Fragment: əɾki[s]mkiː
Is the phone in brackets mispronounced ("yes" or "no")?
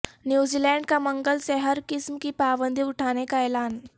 no